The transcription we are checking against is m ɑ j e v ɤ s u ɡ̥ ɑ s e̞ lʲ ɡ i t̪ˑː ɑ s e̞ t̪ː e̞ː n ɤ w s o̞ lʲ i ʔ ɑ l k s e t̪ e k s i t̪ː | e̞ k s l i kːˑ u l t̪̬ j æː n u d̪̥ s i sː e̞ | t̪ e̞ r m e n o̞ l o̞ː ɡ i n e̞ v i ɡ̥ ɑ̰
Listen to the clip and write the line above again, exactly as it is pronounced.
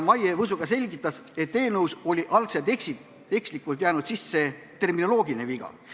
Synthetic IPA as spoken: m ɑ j e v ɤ s u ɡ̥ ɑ s e̞ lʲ ɡ i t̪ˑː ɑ s e̞ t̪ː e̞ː n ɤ w s o̞ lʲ i ʔ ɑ l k s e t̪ e k s i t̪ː | e̞ k s l i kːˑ u l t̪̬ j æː n u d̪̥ s i sː e̞ | t̪ e̞ r m i n o̞ l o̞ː ɡ i n e̞ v i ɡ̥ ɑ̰